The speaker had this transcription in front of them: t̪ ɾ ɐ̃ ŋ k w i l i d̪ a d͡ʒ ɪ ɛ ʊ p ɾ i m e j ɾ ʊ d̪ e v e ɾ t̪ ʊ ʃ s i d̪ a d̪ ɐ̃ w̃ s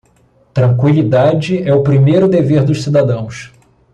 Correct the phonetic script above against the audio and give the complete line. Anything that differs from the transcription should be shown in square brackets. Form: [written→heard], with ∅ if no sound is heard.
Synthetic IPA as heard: t̪ ɾ ɐ̃ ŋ k w i l i d̪ a d͡ʒ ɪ ɛ ʊ p ɾ i m e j ɾ ʊ d̪ e v e ɾ [t̪→d̪] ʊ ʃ s i d̪ a d̪ ɐ̃ w̃ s